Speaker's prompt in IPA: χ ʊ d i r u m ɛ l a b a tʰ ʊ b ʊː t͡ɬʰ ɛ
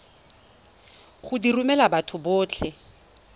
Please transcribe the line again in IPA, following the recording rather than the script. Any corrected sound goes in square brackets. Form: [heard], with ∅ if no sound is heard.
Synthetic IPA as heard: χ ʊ d i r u m ɛ l a b a tʰ ʊ b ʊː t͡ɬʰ ɛ